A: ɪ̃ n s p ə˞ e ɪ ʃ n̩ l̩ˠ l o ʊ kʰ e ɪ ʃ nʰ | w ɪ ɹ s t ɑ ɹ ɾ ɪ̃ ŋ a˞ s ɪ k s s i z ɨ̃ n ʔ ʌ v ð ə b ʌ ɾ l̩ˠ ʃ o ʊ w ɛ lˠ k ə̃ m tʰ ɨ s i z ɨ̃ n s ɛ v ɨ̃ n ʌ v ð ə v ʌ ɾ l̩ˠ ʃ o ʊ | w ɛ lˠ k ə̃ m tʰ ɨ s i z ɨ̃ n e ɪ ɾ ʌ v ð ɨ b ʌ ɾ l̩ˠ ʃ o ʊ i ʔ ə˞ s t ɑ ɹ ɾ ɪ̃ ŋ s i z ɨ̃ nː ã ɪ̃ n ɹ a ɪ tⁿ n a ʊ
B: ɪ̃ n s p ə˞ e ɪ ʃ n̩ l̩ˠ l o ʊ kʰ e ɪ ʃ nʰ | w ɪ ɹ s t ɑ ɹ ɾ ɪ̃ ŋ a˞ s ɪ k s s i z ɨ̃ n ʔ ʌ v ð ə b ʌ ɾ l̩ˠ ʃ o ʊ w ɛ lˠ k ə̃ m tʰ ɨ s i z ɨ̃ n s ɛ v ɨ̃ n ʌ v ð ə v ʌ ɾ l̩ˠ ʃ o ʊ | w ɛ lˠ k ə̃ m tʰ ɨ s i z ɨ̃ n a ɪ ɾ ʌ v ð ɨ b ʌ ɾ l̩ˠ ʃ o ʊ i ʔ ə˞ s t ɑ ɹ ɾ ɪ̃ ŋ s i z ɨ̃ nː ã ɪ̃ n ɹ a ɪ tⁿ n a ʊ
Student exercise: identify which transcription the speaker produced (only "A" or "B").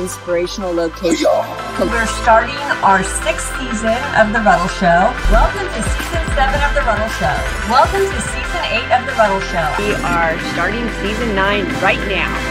A